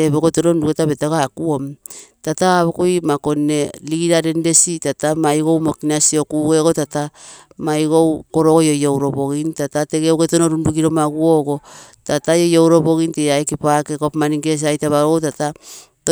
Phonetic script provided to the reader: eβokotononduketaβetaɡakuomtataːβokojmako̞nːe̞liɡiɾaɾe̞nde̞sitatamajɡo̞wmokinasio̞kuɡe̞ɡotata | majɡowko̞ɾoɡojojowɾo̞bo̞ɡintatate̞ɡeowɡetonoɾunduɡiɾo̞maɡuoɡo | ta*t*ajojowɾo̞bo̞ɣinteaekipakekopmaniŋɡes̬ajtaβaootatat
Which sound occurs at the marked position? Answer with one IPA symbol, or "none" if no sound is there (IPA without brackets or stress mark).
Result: t